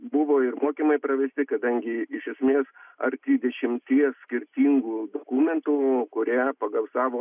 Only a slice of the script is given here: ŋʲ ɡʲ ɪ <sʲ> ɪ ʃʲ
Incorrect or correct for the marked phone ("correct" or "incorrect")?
incorrect